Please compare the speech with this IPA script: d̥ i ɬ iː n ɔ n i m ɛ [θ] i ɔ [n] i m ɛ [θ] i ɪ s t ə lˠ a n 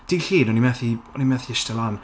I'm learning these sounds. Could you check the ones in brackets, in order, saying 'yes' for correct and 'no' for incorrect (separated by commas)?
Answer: yes, yes, yes